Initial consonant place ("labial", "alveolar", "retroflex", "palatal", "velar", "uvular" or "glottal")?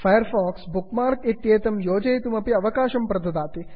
labial